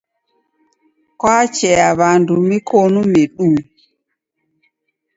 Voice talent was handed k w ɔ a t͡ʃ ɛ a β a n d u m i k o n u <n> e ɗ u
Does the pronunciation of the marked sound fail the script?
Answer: yes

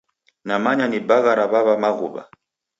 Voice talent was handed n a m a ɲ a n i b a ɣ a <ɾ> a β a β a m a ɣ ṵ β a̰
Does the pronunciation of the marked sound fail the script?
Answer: no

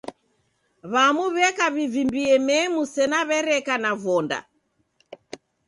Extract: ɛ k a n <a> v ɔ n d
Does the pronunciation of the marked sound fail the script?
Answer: no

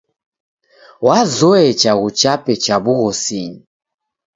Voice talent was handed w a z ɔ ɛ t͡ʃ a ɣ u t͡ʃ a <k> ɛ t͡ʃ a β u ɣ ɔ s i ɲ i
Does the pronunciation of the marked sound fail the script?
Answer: yes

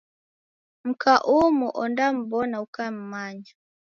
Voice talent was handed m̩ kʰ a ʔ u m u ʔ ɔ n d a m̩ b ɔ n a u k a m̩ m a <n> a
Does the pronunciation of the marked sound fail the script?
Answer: yes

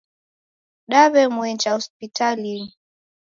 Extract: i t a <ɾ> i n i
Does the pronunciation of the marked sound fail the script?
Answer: yes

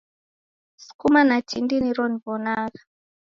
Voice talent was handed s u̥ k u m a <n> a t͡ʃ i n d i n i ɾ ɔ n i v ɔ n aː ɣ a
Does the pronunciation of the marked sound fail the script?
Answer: no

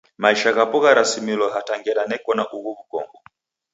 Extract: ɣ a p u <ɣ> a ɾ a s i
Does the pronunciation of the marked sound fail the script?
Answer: no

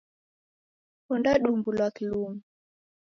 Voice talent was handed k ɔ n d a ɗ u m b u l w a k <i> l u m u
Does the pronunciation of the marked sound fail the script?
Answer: no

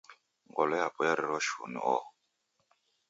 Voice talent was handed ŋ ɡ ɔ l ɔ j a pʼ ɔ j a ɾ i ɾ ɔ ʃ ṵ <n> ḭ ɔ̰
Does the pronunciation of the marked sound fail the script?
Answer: no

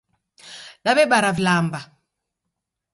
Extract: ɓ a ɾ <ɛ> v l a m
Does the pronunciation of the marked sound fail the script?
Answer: yes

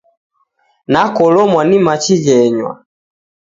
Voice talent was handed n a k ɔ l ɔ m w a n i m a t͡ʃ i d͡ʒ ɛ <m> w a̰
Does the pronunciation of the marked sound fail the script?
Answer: yes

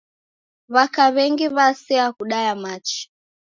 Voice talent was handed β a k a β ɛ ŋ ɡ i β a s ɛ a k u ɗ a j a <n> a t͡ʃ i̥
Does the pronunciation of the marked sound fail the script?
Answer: yes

